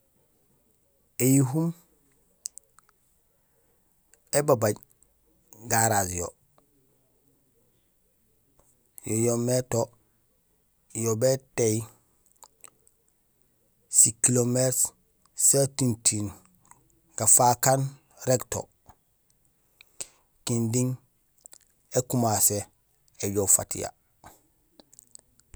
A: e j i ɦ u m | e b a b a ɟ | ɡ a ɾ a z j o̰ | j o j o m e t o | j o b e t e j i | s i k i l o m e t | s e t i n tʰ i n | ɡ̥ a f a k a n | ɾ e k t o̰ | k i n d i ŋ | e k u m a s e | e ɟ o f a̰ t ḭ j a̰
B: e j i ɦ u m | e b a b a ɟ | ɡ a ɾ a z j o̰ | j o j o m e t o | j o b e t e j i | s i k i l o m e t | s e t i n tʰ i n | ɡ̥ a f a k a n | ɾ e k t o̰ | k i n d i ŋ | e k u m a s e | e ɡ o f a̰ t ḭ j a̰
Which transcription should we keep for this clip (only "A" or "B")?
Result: A